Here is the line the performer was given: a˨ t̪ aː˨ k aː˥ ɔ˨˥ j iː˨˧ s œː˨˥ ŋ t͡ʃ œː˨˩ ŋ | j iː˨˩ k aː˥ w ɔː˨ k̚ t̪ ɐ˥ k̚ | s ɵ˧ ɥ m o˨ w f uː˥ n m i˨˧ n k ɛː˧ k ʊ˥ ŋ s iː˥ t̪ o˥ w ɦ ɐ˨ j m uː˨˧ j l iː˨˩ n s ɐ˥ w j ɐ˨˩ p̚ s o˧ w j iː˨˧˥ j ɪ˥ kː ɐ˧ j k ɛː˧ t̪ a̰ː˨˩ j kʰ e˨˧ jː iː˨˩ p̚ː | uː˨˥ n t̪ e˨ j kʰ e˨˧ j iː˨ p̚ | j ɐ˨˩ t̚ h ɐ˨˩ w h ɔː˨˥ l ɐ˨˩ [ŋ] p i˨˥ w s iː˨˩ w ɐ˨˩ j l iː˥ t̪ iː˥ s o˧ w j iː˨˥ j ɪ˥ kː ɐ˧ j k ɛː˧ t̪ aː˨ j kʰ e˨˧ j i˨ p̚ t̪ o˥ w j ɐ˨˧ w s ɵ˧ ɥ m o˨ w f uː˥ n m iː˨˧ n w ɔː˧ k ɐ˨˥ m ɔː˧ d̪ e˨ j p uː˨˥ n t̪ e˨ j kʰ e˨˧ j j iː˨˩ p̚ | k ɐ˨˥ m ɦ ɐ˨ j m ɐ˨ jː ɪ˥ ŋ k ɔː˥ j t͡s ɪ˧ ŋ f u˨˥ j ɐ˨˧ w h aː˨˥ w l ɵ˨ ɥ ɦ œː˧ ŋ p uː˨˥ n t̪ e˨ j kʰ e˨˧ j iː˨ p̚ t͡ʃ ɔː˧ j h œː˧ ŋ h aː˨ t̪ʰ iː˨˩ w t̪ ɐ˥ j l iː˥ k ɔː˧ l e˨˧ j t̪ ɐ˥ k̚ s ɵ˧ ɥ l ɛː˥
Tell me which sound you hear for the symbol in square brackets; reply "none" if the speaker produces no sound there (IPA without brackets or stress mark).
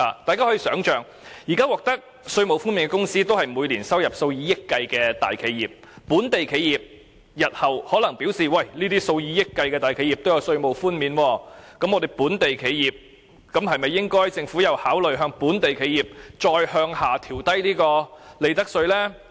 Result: ŋ